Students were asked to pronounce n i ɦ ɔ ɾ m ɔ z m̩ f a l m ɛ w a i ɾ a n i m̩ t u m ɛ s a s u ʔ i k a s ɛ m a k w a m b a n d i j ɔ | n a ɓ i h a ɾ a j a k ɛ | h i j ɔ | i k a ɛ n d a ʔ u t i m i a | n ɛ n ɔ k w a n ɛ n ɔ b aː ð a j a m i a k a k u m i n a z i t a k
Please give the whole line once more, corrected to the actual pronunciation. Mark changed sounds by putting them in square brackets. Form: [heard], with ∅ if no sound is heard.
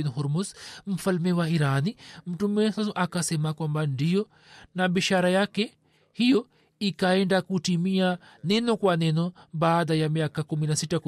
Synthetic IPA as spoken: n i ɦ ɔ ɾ m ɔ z m̩ f a l m ɛ w a i ɾ a n i m̩ t u m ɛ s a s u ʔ [a] k a s ɛ m a k w a m b a n d i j ɔ | n a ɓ i [ʃ] a ɾ a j a k ɛ | h i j ɔ | i k a ɛ n d a [k] u t i m i a | n ɛ n ɔ k w a n ɛ n ɔ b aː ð a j a m i a k a k u m i n a [s] i t a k